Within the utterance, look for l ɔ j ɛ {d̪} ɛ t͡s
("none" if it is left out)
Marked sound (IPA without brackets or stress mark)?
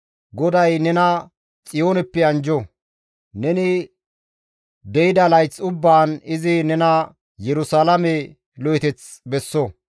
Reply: t̪